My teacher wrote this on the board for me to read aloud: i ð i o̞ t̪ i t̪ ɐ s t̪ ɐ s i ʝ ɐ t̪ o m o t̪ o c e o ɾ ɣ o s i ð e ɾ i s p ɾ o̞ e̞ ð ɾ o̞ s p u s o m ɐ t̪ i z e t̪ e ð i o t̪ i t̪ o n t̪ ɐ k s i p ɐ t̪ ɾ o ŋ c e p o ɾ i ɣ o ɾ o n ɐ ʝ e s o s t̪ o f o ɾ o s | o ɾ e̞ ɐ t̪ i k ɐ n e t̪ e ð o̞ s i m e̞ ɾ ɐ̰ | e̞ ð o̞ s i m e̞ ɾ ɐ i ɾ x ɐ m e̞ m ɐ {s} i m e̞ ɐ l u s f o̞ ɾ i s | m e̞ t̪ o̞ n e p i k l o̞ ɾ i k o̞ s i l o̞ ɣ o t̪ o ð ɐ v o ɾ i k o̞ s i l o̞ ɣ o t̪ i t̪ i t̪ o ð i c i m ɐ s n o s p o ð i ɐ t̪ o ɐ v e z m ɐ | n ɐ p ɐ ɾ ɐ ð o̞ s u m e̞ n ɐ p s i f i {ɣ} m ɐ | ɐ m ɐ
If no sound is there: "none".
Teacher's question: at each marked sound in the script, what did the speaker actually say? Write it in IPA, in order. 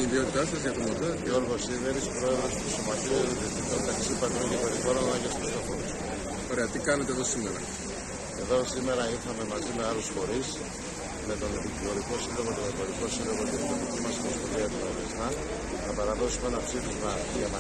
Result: z, z

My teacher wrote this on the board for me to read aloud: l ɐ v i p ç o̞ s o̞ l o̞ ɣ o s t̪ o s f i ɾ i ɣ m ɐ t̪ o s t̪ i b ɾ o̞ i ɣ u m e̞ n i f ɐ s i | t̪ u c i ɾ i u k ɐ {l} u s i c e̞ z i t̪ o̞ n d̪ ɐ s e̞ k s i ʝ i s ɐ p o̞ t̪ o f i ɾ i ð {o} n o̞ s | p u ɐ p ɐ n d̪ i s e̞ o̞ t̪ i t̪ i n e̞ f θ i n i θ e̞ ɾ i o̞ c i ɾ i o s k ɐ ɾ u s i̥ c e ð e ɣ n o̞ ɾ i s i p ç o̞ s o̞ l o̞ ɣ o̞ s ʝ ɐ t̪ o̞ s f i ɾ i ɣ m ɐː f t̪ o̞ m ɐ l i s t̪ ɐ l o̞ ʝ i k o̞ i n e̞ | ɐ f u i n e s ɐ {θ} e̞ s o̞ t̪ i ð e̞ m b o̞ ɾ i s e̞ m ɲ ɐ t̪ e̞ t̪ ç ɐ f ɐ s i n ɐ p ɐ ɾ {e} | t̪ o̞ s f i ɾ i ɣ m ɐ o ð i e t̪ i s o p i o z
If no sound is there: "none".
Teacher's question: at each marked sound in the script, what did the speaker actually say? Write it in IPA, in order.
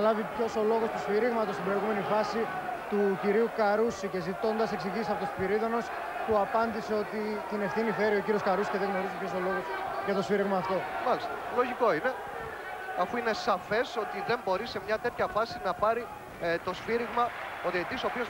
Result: ɾ, o, f, i

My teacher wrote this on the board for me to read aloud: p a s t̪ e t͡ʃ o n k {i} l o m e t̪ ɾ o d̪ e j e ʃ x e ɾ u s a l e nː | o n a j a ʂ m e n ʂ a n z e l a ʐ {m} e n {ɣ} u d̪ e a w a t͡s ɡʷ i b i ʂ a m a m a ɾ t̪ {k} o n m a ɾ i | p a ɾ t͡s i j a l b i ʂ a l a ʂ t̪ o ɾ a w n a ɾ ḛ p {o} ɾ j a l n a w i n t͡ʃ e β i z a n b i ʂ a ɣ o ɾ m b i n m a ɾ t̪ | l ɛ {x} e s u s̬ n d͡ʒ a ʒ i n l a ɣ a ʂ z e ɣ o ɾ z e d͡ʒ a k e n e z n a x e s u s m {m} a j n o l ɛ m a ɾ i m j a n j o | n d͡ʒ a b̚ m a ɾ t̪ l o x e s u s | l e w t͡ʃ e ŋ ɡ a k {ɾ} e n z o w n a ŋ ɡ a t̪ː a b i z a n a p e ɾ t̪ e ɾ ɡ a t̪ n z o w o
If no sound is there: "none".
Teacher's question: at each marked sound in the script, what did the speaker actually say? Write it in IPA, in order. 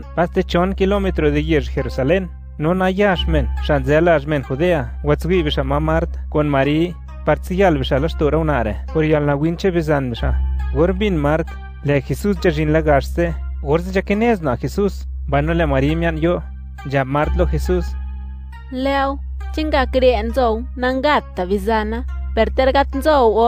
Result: i, m, x, k, o, x, b, ɾ

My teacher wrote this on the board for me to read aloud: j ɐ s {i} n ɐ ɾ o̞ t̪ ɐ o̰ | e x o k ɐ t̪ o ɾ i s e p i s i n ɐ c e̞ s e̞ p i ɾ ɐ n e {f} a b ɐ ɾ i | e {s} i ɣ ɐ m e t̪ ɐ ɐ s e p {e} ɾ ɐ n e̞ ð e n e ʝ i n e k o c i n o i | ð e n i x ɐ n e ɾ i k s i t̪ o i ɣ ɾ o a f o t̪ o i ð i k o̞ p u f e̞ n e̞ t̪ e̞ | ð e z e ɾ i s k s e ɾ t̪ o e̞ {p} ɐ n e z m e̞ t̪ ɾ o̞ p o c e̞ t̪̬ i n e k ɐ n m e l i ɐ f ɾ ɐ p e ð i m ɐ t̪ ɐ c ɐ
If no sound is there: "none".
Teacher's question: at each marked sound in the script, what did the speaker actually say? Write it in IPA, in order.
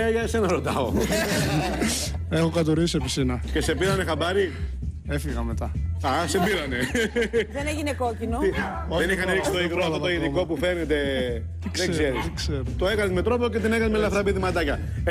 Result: e, x, f, i, k

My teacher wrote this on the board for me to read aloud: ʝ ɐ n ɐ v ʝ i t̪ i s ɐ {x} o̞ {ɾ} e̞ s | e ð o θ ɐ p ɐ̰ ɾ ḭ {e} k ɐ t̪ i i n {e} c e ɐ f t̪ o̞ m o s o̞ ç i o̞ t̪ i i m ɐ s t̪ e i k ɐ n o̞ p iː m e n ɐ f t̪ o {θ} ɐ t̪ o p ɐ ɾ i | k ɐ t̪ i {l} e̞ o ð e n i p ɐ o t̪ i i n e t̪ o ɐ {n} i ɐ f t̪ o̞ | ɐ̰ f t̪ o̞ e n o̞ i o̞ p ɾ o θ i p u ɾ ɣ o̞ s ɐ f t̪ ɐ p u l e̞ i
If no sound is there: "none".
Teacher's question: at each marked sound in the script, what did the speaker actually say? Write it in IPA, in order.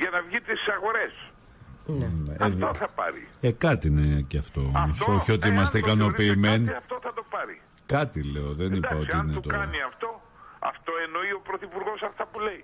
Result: ɣ, ɾ, e, e, θ, l, n

